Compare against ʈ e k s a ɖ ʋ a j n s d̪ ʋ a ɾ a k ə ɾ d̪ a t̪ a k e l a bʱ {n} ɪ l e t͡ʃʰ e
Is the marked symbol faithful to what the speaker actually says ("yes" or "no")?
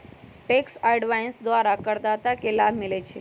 no